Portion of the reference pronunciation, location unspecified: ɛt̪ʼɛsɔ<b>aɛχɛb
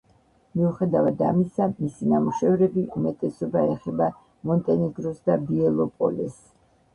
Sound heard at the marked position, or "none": b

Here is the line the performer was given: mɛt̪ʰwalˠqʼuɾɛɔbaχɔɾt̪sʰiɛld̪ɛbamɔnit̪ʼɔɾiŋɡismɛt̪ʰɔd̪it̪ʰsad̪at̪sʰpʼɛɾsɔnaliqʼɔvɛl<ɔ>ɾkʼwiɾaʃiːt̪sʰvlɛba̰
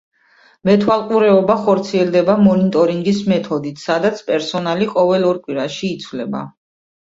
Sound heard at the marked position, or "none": ɔ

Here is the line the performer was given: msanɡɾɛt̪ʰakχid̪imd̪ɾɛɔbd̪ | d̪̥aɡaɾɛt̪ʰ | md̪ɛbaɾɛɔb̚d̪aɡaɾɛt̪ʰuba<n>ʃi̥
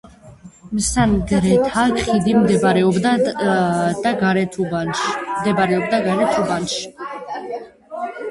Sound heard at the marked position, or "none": n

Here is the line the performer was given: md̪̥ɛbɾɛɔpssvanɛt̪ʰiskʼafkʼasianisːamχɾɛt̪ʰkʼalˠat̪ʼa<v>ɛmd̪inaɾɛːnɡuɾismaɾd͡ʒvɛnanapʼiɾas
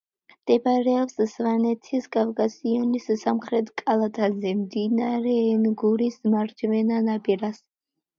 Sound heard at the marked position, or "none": z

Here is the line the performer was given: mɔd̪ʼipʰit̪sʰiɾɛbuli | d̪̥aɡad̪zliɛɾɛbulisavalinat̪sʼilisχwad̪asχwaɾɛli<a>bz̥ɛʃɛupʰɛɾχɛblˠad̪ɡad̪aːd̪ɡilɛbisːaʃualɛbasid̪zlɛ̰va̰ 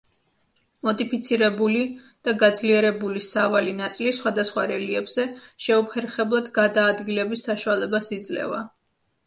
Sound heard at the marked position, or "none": ɛ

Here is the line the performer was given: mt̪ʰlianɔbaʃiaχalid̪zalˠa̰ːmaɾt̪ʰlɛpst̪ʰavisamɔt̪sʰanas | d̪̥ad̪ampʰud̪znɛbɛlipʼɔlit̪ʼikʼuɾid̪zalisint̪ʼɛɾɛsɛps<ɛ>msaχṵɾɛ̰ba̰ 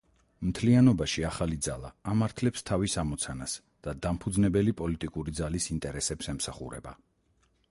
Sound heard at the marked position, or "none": ɛ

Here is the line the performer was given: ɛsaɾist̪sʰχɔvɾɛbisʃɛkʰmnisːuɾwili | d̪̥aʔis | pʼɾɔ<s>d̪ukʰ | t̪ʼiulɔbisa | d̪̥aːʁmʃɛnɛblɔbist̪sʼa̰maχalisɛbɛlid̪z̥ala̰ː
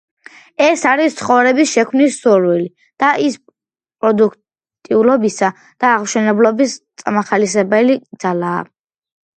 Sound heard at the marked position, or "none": none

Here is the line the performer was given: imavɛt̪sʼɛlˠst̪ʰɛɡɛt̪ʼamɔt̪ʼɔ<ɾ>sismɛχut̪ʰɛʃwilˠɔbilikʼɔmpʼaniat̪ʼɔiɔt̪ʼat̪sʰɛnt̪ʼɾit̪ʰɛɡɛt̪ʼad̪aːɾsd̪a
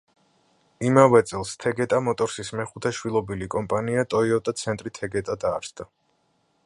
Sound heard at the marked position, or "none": ɾ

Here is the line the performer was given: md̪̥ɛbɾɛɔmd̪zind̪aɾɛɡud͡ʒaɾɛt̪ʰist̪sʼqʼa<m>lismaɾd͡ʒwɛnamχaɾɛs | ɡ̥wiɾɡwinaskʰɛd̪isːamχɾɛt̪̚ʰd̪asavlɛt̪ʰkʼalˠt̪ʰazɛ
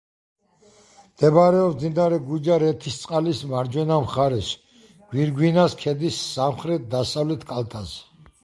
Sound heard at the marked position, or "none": none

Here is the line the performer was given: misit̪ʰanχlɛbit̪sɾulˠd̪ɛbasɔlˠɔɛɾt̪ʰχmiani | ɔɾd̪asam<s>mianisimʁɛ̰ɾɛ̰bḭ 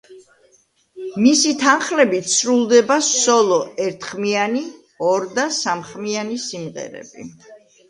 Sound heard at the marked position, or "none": χ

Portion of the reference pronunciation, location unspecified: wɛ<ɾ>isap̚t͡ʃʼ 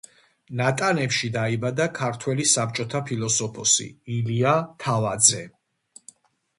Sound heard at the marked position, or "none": l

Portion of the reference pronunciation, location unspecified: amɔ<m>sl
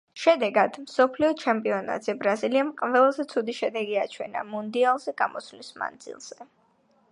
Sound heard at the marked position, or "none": none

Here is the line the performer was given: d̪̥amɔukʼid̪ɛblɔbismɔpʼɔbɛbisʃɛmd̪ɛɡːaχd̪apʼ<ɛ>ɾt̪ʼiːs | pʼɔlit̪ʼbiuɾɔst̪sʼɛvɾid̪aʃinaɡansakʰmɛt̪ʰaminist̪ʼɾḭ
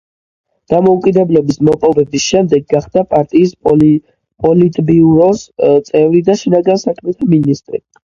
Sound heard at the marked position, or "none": a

